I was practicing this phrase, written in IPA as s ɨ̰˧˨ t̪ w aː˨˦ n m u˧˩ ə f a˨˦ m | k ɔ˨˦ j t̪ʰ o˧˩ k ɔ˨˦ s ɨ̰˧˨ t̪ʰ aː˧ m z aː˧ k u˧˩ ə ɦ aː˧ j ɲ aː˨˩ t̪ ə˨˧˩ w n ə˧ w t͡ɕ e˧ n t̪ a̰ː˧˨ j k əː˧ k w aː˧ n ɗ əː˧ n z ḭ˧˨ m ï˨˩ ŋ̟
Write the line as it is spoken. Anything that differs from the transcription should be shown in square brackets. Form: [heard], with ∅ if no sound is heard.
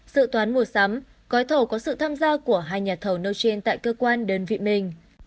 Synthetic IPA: s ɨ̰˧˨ t̪ w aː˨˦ n m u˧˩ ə [s] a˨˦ m | k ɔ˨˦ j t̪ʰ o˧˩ k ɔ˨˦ s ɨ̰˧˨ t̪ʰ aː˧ m z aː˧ k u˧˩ ə ɦ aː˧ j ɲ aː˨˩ [t̪ʰ] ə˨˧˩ w n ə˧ w t͡ɕ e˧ n t̪ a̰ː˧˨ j k əː˧ k w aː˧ n ɗ əː˧ n [v] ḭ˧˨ m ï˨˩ ŋ̟